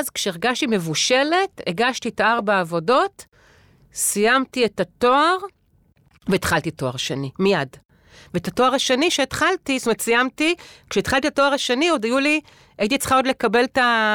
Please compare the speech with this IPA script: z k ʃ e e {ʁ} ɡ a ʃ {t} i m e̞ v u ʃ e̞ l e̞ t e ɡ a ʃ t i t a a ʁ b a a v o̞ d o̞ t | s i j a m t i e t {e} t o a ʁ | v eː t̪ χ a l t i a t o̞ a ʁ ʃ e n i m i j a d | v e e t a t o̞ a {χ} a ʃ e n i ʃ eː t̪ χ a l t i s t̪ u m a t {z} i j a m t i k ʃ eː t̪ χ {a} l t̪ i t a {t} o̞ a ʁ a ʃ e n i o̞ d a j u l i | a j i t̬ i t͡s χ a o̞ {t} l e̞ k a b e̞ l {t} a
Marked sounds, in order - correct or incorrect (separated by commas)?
correct, correct, incorrect, incorrect, incorrect, correct, correct, incorrect, correct